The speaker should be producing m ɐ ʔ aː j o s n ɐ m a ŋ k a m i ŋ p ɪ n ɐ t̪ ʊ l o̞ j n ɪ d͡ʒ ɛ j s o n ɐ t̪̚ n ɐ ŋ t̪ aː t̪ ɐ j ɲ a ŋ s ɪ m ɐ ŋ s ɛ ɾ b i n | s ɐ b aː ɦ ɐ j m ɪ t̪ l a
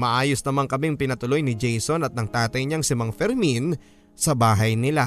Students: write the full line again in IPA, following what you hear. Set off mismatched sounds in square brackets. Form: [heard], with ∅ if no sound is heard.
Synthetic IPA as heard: m ɐ ʔ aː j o s n ɐ m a ŋ k [ɐ] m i ŋ p ɪ n ɐ t̪ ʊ l o̞ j n ɪ d͡ʒ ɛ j s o n ɐ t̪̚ n ɐ ŋ t̪ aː t̪ ɐ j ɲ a ŋ s ɪ m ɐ ŋ [f] ɛ ɾ [m] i n | s ɐ b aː ɦ ɐ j [n] ɪ [∅] l a